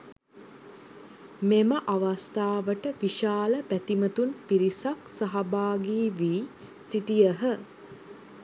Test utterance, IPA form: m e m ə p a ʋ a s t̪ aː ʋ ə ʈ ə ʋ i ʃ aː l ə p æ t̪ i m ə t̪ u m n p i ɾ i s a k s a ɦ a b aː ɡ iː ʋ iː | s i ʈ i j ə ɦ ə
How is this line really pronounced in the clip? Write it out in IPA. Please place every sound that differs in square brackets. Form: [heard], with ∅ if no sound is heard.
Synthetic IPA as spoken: m e m ə [ʔ] a ʋ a s t̪ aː ʋ ə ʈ ə ʋ i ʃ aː l ə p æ t̪ i m ə t̪ u [∅] n p i ɾ i s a k s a ɦ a b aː ɡ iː ʋ iː | s i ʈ i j ə ɦ ə